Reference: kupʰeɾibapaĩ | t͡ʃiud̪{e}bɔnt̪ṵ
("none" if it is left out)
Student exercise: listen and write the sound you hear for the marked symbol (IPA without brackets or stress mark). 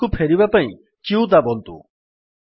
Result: a